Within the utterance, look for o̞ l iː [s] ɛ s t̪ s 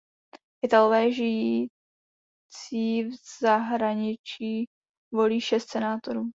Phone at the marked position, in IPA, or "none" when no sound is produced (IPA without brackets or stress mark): ʃ